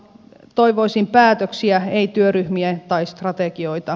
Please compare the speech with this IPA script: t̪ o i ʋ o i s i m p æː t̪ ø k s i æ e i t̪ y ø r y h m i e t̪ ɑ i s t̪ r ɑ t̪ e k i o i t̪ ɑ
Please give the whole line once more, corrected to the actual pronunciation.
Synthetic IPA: t̪ o i ʋ o i s i m p æː t̪ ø k s i æ e i t̪ y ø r y h m i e t̪ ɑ i s t̪ r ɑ t̪ e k i o i t̪ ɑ

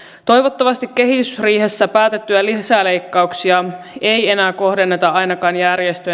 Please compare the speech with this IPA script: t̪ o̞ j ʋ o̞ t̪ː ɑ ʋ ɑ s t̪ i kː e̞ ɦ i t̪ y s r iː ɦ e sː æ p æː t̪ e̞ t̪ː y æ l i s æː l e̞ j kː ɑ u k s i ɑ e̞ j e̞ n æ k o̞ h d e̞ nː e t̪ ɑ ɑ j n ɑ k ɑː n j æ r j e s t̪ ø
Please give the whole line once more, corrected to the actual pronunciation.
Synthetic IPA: t̪ o̞ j ʋ o̞ t̪ː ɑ ʋ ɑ s t̪ i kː e̞ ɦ i t̪ y s r iː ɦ e sː æ p æː t̪ e̞ t̪ː y æ l i s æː l e̞ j kː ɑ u k s i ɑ e̞ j e̞ n æː k o̞ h d e̞ nː e t̪ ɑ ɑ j n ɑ k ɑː n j æ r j e s t̪ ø

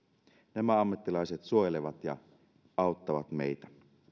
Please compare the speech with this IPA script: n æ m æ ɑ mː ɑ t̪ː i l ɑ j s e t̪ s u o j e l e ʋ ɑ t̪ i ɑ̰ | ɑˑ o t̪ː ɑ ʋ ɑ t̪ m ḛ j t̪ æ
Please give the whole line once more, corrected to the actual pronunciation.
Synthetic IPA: n æ m æ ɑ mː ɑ t̪ː i l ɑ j s e t̪ s u o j e l e ʋ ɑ t̪ j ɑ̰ | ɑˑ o t̪ː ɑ ʋ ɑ t̪ m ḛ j t̪ æ

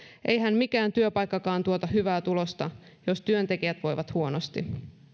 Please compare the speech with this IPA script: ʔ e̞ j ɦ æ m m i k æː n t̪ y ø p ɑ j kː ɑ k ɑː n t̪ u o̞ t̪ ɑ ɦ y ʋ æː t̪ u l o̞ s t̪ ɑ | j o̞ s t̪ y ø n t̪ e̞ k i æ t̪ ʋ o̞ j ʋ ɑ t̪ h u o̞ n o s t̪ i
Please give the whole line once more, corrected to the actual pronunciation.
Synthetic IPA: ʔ e̞ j ɦ æ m m i k æː n t̪ y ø p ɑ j kː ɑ k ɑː n t̪ u o̞ t̪ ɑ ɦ y ʋ æː t̪ u l o̞ s t̪ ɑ | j o̞ s t̪ y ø n t̪ e̞ k i æ t̪ ʋ o̞ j ʋ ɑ t̪ h u o̞ n o s t̪ i

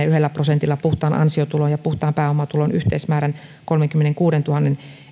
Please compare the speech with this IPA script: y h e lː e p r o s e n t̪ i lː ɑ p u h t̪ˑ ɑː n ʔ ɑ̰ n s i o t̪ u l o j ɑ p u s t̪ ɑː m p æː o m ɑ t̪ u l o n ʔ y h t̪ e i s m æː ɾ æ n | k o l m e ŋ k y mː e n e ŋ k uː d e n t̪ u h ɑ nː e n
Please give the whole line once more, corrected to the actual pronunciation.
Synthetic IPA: y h e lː æ p r o s e n t̪ i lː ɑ p u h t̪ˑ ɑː n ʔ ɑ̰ n s i o t̪ u l o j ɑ p u h t̪ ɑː m p æː o m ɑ t̪ u l o n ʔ y h t̪ e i s m æː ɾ æ n | k o l m e ŋ k y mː e n e ŋ k uː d e n t̪ u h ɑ nː e n

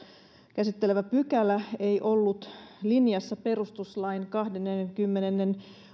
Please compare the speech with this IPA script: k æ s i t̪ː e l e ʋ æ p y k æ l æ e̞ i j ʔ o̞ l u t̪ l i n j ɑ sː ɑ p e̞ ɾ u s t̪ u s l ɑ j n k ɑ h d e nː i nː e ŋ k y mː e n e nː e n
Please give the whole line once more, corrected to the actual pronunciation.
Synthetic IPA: k æ s i t̪ː e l e ʋ æ p y k æ l æ e̞ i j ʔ o̞ lː u t̪ l i n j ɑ sː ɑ p e̞ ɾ u s t̪ u s l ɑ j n k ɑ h d e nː e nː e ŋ k y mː e n e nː e n

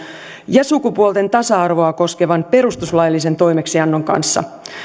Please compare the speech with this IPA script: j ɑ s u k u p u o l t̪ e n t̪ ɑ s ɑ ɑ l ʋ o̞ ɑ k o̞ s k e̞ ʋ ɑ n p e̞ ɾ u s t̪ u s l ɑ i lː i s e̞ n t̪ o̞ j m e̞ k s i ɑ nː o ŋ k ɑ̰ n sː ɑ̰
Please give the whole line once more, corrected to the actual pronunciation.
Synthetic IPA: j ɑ s u k u p u o l t̪ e n t̪ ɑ s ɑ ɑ r ʋ o̞ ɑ k o̞ s k e̞ ʋ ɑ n p e̞ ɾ u s t̪ u s l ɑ j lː i s e̞ n t̪ o̞ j m e̞ k s i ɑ nː o ŋ k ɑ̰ n sː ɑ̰

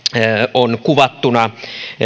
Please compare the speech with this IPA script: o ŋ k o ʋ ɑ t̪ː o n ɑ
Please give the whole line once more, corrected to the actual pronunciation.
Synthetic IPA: o n k u ʋ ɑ t̪ː u n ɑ

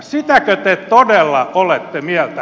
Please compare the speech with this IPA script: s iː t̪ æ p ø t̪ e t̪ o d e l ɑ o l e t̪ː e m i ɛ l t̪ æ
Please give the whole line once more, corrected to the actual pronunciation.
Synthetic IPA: s i t̪ æ k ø t̪ e t̪ o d e lː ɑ o l e t̪ː e m i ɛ l t̪ æ

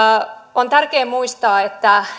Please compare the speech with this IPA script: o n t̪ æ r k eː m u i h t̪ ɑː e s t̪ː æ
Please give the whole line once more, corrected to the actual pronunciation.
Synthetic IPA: o n t̪ æ r k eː m u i s t̪ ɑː e t̪ː æ

